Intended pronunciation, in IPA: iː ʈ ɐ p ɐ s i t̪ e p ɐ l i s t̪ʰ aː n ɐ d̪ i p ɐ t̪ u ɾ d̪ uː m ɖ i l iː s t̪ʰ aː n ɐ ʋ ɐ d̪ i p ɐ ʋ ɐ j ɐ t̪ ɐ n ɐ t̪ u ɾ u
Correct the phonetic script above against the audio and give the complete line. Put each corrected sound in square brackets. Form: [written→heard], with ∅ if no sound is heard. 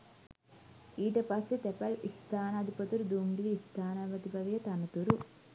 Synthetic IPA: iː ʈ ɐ p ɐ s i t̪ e p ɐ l i s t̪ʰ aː n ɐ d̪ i p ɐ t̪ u ɾ d̪ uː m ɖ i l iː s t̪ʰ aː n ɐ ʋ ɐ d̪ i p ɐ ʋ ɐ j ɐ t̪ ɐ n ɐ t̪ u ɾ u